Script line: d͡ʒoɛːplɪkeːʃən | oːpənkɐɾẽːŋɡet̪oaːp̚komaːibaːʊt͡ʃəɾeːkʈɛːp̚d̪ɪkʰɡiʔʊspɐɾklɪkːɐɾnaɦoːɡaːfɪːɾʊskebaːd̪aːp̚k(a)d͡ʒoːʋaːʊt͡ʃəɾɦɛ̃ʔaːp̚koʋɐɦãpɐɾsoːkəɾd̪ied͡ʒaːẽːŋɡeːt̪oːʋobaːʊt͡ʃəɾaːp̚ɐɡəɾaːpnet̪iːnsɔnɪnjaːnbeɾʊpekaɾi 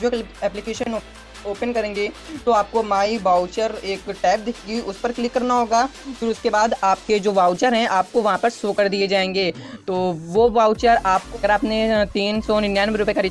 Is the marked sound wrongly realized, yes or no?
yes